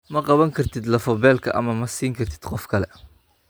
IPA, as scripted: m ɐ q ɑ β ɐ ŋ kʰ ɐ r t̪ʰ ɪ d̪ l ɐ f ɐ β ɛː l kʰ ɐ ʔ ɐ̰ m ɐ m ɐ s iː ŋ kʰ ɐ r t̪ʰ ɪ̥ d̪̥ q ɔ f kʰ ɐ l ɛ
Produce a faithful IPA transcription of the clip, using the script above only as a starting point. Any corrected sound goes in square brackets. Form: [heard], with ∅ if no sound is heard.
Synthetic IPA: m ɐ q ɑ β ɐ ŋ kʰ ɐ r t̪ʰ ɪ d̪ l ɐ f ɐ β ɛː l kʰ ɐ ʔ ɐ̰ m ɐ m ɐ s iː ŋ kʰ ɐ r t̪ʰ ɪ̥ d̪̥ q ɔ f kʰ ɐ l ɛ

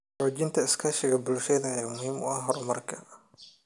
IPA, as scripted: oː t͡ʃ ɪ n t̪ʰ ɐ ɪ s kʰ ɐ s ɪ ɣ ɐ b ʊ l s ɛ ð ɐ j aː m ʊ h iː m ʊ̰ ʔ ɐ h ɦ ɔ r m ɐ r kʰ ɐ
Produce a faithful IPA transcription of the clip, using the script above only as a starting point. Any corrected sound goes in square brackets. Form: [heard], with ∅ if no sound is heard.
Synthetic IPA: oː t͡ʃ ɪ n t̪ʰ ɐ ɪ s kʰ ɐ [ʃ] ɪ ɣ ɐ b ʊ l [ʃ] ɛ ð ɐ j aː m ʊ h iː m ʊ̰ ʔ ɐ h ɦ ɔ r m ɐ r kʰ ɐ

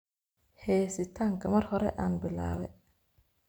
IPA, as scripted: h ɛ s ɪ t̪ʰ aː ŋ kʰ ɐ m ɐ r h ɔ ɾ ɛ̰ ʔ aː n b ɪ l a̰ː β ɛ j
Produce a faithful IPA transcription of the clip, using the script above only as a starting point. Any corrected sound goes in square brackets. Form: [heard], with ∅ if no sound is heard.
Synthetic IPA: h [ɛː] s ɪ t̪ʰ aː ŋ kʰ ɐ m ɐ r h ɔ ɾ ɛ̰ ʔ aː n b ɪ l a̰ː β ɛ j

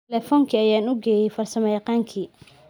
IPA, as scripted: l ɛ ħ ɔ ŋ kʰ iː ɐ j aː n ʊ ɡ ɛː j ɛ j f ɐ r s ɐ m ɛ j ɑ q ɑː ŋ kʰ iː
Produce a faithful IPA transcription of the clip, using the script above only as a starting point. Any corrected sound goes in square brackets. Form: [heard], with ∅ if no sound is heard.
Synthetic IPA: l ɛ [f] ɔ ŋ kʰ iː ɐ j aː n ʊ ɡ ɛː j ɛ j f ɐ r s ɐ m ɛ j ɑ q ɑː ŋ kʰ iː

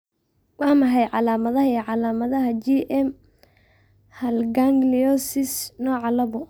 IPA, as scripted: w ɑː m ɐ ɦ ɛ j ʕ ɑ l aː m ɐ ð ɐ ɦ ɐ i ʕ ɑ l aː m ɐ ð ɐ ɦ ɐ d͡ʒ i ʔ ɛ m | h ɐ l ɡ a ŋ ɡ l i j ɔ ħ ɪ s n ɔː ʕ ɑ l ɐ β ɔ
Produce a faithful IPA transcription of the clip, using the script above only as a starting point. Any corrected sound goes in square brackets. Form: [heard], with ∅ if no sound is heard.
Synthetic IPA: w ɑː m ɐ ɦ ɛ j ʕ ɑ l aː m ɐ ð ɐ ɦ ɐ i ʕ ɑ l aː m ɐ ð ɐ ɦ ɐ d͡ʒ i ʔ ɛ m | h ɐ l ɡ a ŋ ɡ l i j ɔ [s] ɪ s n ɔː ʕ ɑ l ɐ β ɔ

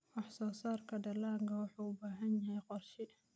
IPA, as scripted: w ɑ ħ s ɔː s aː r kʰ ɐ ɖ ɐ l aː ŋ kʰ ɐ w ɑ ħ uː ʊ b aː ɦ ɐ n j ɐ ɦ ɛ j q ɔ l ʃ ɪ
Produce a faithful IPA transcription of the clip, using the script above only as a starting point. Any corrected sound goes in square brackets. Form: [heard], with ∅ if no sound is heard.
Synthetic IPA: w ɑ ħ s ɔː s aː r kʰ ɐ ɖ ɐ l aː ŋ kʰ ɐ w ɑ ħ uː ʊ b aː ɦ ɐ n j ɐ ɦ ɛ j q ɔ [r] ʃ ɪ

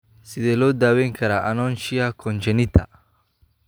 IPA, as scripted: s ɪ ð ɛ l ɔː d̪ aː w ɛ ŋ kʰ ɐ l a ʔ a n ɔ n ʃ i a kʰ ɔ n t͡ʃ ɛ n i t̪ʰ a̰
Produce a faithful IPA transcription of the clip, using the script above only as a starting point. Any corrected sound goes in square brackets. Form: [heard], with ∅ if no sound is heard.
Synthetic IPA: s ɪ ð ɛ l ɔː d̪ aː w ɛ ŋ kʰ ɐ [ɾ] a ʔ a n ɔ n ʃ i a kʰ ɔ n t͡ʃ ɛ n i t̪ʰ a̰

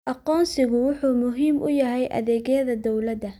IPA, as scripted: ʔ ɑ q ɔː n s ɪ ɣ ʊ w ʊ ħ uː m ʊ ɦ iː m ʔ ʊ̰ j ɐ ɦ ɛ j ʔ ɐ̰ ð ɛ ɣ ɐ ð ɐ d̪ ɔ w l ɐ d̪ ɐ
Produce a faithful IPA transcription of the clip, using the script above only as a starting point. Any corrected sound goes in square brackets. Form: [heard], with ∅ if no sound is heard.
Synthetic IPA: ʔ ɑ q ɔː n s ɪ ɣ ʊ w ʊ ħ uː m ʊ ɦ iː m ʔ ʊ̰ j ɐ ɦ ɛ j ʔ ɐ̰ ð [ɛː] ɣ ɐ ð ɐ d̪ ɔ w l ɐ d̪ ɐ

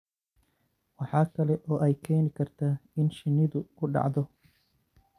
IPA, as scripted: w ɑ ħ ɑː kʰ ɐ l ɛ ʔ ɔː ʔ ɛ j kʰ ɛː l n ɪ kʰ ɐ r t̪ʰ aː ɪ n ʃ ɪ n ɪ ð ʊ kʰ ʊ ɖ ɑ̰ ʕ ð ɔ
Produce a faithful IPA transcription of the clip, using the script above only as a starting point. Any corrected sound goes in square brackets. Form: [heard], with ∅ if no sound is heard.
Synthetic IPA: w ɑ ħ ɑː kʰ ɐ l ɛ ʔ ɔː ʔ ɛ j kʰ ɛː [∅] n ɪ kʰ ɐ r t̪ʰ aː ɪ n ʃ ɪ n ɪ ð ʊ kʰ ʊ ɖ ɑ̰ ʕ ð ɔ

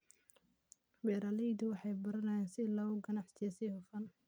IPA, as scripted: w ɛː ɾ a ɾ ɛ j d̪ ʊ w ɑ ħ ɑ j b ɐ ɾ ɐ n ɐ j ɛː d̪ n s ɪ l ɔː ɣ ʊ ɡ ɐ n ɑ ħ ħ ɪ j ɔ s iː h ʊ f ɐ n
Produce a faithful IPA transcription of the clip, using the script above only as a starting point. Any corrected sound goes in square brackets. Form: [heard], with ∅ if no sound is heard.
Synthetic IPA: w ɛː ɾ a [l] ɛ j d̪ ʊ w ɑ ħ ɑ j b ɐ ɾ ɐ n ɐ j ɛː [∅] n s ɪ l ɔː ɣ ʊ ɡ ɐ n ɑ ħ [s] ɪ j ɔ s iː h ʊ f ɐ n

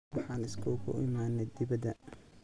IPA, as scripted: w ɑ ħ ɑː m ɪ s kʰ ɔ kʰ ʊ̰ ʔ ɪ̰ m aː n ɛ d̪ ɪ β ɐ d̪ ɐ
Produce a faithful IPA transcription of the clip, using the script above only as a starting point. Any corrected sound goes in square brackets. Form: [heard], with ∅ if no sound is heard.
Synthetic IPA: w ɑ ħ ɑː [n] ɪ s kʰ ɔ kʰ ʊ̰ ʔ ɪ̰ m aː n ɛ d̪ ɪ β ɐ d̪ ɐ

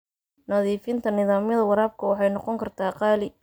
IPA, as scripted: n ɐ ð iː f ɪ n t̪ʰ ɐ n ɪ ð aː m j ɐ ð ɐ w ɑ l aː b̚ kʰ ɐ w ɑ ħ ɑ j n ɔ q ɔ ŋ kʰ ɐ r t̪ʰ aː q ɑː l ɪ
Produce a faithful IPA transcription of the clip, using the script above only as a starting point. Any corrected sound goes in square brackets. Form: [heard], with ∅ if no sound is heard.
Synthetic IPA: n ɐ ð iː f ɪ n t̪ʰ ɐ n ɪ ð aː m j ɐ ð ɐ w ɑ [ɾ] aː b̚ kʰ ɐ w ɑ ħ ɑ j n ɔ q ɔ ŋ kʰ ɐ r t̪ʰ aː q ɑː l ɪ

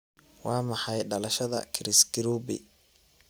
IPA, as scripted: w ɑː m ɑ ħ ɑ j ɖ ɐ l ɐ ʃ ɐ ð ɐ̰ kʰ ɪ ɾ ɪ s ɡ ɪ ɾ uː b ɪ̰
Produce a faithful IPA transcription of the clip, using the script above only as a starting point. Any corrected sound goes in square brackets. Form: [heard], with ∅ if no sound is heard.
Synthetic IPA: w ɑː m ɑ ħ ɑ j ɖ ɐ l ɐ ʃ ɐ ð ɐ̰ kʰ ɪ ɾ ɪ s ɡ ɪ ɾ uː b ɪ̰

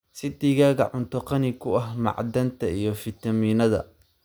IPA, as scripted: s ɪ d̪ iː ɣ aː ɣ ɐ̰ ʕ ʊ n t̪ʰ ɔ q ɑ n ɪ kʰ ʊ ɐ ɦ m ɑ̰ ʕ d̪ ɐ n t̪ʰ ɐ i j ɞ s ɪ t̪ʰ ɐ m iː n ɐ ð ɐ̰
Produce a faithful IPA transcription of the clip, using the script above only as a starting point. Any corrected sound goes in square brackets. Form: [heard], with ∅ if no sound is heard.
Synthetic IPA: s ɪ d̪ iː ɣ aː ɣ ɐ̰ ʕ ʊ n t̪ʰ ɔ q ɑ n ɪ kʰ ʊ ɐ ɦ m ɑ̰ ʕ d̪ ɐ n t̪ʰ ɐ i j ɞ [f] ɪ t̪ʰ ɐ m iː n ɐ ð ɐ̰

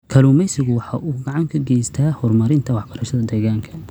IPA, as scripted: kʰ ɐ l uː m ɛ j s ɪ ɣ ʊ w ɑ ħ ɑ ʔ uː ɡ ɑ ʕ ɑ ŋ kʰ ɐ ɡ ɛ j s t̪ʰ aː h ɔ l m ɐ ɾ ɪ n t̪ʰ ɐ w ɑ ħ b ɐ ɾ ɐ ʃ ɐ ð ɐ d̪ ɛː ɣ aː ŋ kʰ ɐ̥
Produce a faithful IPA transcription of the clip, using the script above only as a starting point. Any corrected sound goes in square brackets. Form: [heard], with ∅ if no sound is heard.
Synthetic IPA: kʰ ɐ l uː m ɛ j s ɪ ɣ ʊ w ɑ ħ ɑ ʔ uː ɡ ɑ ʕ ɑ ŋ kʰ ɐ ɡ ɛ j s t̪ʰ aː h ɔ [r] m ɐ ɾ ɪ n t̪ʰ ɐ w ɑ ħ b ɐ ɾ ɐ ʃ ɐ ð ɐ d̪ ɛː ɣ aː ŋ kʰ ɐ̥

